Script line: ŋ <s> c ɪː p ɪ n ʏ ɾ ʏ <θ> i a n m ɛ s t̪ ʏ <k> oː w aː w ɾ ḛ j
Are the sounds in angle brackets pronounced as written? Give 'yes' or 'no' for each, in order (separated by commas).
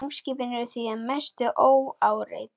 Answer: yes, yes, no